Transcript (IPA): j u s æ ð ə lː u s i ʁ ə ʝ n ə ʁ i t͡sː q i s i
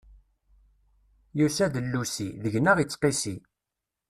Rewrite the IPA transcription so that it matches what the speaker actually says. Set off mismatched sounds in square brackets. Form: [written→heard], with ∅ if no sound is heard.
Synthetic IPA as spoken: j u s æ ð ə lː u s i [ʁ→ð] ə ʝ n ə ʁ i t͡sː q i s i